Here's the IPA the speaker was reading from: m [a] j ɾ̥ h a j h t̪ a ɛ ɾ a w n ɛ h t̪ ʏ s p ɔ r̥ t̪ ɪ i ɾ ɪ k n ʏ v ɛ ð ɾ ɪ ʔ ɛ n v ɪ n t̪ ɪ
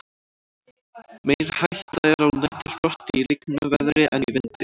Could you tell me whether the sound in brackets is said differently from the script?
yes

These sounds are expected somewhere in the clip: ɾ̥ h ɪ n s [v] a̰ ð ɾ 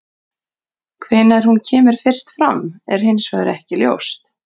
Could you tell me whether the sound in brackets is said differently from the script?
no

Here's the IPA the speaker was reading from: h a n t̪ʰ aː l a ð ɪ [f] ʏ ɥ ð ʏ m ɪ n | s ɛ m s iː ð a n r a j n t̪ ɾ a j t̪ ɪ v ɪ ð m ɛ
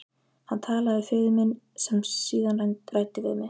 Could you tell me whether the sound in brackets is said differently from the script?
no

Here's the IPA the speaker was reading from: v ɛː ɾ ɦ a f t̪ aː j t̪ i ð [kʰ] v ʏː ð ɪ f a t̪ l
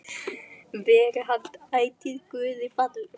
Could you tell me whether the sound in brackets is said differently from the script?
yes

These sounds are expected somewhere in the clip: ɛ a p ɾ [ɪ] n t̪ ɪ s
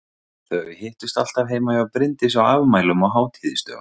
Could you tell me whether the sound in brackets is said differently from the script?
no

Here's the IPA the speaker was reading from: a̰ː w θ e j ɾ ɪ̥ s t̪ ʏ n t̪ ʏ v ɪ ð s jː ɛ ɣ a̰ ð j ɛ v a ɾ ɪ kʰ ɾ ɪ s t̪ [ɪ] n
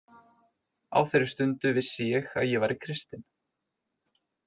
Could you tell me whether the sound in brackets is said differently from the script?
no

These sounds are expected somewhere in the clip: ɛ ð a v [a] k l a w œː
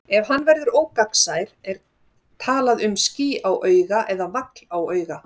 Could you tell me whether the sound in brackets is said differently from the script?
no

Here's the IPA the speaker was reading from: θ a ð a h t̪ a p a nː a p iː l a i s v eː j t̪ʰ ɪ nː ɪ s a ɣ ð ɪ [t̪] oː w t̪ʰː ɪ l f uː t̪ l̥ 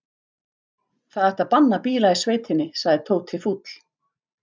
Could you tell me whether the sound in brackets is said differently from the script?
yes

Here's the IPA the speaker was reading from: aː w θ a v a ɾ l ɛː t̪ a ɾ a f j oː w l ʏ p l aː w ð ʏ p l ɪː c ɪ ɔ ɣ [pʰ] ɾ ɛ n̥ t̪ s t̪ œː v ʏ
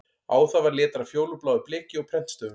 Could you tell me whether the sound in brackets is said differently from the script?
no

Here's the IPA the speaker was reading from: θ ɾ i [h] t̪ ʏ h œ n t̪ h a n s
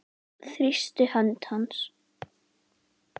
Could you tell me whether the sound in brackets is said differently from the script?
yes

